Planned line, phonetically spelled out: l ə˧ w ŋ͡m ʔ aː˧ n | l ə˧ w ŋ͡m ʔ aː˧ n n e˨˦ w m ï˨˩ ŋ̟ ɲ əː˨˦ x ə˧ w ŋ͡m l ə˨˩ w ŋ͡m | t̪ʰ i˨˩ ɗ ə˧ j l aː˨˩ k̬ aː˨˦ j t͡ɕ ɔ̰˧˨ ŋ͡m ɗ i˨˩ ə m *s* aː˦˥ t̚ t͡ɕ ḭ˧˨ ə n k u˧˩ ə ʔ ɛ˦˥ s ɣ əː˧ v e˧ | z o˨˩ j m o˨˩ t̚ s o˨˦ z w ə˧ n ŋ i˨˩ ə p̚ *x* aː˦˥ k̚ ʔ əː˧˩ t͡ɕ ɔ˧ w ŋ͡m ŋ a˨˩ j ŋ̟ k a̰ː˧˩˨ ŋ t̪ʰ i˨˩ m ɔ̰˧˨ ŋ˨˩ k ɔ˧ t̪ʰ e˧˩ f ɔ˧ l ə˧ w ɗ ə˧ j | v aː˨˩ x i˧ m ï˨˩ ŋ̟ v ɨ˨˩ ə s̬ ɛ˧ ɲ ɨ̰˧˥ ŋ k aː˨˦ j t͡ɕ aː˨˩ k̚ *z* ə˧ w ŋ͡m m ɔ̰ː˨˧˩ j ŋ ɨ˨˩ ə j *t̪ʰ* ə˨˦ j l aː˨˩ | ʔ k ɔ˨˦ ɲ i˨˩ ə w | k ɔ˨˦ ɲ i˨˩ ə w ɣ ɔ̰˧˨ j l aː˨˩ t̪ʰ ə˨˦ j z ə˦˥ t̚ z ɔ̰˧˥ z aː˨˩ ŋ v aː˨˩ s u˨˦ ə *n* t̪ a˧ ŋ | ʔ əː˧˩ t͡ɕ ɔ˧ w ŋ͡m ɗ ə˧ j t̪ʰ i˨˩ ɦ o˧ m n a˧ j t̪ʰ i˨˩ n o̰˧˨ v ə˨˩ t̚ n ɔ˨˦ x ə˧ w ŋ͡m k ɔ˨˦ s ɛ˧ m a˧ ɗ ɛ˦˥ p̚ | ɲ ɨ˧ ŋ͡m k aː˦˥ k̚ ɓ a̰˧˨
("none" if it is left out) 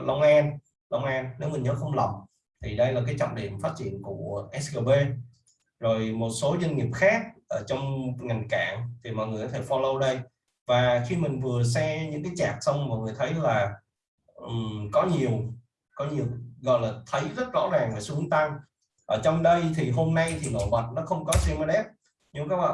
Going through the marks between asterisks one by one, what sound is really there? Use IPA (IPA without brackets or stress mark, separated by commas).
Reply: f, x, s, t̪ʰ, ŋ